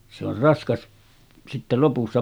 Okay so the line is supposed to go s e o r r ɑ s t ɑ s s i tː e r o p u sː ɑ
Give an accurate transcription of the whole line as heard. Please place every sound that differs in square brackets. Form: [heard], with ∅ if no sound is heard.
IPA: s e o r r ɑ s [k] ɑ s s i tː e [l] o p u sː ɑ